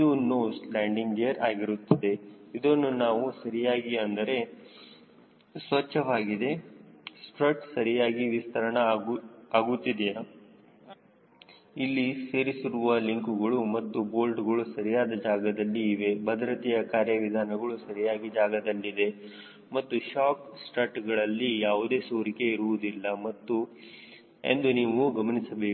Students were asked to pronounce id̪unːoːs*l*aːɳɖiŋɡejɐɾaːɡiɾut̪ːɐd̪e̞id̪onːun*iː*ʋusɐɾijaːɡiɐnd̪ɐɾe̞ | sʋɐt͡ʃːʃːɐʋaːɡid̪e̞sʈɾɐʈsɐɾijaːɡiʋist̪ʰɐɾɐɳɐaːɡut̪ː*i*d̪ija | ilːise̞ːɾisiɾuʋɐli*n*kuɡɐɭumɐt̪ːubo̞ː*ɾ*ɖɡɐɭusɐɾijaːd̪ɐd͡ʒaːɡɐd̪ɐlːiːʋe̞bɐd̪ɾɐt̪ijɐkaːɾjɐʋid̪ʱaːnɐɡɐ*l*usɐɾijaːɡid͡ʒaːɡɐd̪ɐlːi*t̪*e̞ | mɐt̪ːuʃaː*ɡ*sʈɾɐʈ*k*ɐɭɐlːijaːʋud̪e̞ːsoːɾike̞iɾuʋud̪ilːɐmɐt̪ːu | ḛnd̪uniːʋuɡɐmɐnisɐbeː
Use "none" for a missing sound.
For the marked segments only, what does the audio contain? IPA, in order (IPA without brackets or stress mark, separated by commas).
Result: l, aː, i, ŋ, l, ɭ, d̪, k, ɡ